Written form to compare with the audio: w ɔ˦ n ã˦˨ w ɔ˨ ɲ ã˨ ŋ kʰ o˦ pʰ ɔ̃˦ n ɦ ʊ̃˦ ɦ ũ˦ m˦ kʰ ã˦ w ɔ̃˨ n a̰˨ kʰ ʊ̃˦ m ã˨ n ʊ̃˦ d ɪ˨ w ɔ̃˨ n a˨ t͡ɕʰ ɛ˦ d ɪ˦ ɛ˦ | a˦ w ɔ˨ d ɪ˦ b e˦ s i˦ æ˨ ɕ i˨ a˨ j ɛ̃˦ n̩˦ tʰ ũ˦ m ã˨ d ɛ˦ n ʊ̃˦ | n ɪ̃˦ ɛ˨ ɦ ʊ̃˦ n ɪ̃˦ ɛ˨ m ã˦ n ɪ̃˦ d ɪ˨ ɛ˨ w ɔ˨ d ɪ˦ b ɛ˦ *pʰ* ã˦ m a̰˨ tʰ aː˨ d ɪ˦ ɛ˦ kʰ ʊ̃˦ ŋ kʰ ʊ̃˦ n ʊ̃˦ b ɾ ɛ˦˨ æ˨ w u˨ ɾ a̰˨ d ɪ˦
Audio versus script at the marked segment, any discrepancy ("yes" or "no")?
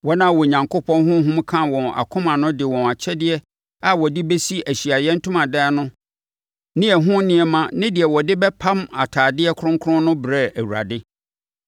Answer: no